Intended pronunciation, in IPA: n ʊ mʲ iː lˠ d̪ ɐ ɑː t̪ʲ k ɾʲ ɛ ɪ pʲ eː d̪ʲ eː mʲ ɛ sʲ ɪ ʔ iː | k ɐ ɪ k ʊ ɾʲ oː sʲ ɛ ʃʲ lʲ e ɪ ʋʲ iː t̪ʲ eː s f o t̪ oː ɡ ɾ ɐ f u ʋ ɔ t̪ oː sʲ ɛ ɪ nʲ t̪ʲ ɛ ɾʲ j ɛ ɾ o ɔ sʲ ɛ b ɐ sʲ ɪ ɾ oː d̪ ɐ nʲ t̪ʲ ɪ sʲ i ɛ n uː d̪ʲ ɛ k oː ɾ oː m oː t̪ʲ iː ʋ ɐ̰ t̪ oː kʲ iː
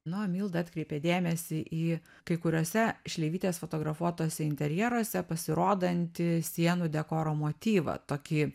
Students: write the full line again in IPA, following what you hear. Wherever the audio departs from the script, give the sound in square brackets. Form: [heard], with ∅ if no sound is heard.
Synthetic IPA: n ʊ mʲ iː lˠ d̪ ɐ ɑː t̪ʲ k ɾʲ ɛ ɪ pʲ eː d̪ʲ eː mʲ ɛ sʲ ɪ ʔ iː | k ɐ ɪ k ʊ ɾʲ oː sʲ ɛ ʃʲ lʲ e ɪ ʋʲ iː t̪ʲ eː s f o t̪ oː ɡ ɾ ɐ f u [∅] ɔ t̪ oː sʲ ɛ ɪ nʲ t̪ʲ ɛ ɾʲ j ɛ ɾ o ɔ sʲ ɛ [p] ɐ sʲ ɪ ɾ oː d̪ ɐ nʲ t̪ʲ ɪ sʲ i ɛ n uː d̪ʲ ɛ k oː ɾ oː m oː t̪ʲ iː ʋ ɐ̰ t̪ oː kʲ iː

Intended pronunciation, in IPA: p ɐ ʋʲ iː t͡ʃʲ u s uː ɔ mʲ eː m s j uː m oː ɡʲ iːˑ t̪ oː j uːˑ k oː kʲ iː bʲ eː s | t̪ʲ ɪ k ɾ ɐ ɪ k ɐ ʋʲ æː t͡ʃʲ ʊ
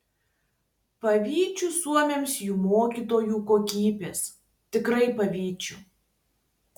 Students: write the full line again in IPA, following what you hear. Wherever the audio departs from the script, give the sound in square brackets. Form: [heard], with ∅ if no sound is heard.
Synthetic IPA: p ɐ ʋʲ iː t͡ʃʲ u s [u] ɔ mʲ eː m s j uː m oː [kʲ] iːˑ t̪ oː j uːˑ k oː kʲ iː bʲ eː s | t̪ʲ ɪ k ɾ ɐ ɪ [p] ɐ ʋʲ [iː] t͡ʃʲ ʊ

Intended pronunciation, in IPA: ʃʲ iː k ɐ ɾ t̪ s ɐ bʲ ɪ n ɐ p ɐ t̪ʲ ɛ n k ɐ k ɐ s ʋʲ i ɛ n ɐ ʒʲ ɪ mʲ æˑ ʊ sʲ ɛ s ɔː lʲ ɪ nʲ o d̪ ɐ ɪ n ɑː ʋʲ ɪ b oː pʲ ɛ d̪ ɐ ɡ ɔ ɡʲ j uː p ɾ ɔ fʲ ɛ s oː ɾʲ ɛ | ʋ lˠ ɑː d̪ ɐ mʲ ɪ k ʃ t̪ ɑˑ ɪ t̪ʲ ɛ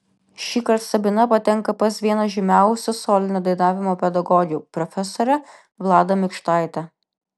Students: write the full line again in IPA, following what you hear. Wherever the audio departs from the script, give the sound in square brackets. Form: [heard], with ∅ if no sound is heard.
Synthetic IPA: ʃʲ iː k ɐ ɾ t̪ s ɐ bʲ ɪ n ɐ p ɐ t̪ʲ ɛ [ŋ] k ɐ [p] ɐ s ʋʲ i ɛ n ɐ ʒʲ ɪ mʲ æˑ ʊ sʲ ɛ s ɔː lʲ ɪ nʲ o d̪ ɐ ɪ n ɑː ʋʲ ɪ [m] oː pʲ ɛ d̪ ɐ ɡ ɔ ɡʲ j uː p ɾ ɔ fʲ ɛ s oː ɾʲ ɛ | ʋ lˠ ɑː d̪ ɐ mʲ ɪ k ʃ t̪ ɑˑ ɪ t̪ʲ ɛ

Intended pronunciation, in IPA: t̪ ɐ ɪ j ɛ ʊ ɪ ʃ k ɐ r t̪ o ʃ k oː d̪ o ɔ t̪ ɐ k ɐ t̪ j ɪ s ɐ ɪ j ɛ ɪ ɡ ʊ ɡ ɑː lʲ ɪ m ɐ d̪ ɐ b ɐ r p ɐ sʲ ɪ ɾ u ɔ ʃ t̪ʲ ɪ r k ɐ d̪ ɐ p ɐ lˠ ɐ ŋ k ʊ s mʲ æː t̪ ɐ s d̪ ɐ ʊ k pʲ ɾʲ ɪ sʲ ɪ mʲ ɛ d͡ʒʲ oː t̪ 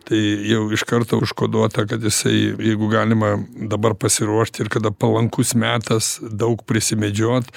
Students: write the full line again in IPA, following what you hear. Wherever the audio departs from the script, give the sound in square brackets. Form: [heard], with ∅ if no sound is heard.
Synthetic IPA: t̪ ɐ ɪ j ɛ ʊ ɪ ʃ k ɐ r t̪ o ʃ k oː d̪ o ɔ t̪ ɐ k ɐ t̪ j ɪ s ɐ ɪ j ɛ ɪ ɡ ʊ ɡ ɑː lʲ ɪ m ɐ d̪ ɐ b ɐ r p ɐ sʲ ɪ ɾ u ɔ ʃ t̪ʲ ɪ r k ɐ d̪ ɐ p ɐ lˠ ɐ ŋ k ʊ s mʲ æː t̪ ɐ s d̪ ɐ ʊ k pʲ ɾʲ ɪ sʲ ɪ mʲ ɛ d͡ʒʲ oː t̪

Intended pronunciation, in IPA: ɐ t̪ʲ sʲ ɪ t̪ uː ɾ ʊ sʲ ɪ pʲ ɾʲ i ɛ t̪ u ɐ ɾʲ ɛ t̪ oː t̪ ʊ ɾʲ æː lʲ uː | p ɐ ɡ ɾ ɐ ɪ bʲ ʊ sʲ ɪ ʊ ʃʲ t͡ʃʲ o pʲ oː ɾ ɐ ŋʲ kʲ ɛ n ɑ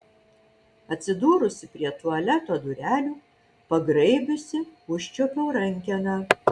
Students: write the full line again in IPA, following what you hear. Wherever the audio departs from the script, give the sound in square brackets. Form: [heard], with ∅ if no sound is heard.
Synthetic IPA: ɐ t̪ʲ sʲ ɪ [d̪] uː ɾ ʊ sʲ ɪ pʲ ɾʲ i ɛ t̪ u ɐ [lʲ] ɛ t̪ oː [d̪] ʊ ɾʲ æː lʲ uː | p ɐ ɡ ɾ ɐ ɪ bʲ ʊ sʲ ɪ ʊ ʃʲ t͡ʃʲ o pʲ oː ɾ ɐ ŋʲ kʲ ɛ n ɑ

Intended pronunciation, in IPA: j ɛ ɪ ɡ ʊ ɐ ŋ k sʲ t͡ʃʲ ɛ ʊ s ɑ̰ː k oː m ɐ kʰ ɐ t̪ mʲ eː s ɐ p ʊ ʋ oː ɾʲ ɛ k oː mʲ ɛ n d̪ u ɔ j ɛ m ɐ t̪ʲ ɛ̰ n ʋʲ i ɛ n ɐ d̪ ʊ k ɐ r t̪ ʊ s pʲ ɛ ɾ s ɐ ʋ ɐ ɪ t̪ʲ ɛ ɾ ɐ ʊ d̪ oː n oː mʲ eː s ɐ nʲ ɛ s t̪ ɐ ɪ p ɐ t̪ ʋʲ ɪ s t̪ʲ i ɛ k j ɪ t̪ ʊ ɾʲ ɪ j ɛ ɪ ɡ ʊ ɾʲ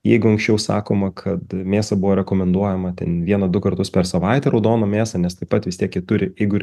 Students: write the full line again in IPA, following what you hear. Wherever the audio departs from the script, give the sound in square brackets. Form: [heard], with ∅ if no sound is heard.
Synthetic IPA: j ɛ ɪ ɡ ʊ ɐ ŋ k sʲ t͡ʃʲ ɛ ʊ s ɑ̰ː k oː m ɐ kʰ ɐ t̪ mʲ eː s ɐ [b] ʊ ʋ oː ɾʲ ɛ k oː mʲ ɛ n d̪ u ɔ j ɛ m ɐ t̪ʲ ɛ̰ n ʋʲ i ɛ n ɐ d̪ ʊ k ɐ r t̪ ʊ s pʲ ɛ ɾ s ɐ ʋ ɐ ɪ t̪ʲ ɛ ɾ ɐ ʊ d̪ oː n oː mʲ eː s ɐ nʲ ɛ s t̪ ɐ ɪ p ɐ t̪ ʋʲ ɪ s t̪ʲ i ɛ k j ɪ t̪ ʊ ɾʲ ɪ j ɛ ɪ ɡ ʊ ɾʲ

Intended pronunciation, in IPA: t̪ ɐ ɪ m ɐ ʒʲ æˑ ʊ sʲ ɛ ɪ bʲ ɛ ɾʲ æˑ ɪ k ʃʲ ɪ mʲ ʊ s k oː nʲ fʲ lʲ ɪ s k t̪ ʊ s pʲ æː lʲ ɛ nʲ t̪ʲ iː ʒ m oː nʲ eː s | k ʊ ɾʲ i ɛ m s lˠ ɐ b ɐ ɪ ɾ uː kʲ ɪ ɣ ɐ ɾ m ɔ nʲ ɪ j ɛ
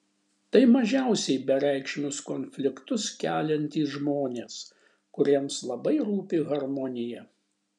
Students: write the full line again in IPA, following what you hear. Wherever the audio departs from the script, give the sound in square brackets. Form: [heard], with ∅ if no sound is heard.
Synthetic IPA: t̪ ɐ ɪ m ɐ ʒʲ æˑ ʊ sʲ ɛ ɪ bʲ ɛ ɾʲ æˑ ɪ k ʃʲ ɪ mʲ ʊ s k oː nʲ fʲ lʲ ɪ [∅] k t̪ ʊ s [kʲ] æː lʲ ɛ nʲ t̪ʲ iː ʒ m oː nʲ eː s | k ʊ ɾʲ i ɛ m s lˠ ɐ b ɐ ɪ ɾ uː [pʲ] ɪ ɣ ɐ ɾ m ɔ nʲ ɪ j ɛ

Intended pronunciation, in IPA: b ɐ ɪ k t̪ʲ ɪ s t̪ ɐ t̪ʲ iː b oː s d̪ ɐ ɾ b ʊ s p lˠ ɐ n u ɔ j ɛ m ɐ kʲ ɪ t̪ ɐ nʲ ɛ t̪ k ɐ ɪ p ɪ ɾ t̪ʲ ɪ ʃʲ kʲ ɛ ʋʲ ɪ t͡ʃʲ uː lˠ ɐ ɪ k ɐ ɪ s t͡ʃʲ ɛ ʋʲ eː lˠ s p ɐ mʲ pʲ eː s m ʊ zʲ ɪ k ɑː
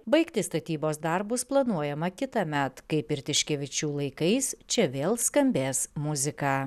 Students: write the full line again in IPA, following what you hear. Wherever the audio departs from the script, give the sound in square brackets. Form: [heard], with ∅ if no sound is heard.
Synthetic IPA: b ɐ ɪ k t̪ʲ ɪ s t̪ ɐ t̪ʲ iː b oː s d̪ ɐ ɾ b ʊ s p lˠ ɐ n u ɔ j ɛ m ɐ kʲ ɪ t̪ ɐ [mʲ] ɛ t̪ k ɐ ɪ p ɪ ɾ t̪ʲ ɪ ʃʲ kʲ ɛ ʋʲ ɪ t͡ʃʲ uː lˠ ɐ ɪ k ɐ ɪ s t͡ʃʲ ɛ ʋʲ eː lˠ s [k] ɐ mʲ [bʲ] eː s m ʊ zʲ ɪ k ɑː

